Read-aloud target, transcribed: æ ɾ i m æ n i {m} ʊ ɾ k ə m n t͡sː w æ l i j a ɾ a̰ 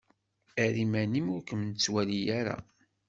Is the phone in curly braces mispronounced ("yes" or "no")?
no